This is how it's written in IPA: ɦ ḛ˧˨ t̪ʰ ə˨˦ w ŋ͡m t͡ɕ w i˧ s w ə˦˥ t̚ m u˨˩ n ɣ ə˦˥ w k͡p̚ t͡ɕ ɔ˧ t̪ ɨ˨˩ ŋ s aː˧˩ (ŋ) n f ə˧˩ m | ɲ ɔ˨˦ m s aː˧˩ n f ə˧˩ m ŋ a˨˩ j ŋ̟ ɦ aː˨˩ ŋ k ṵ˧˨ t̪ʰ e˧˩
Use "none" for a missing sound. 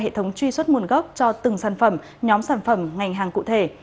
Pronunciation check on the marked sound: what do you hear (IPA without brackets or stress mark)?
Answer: none